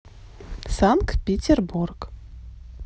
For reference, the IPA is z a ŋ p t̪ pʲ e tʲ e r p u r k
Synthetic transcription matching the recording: s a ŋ k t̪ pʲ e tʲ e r b u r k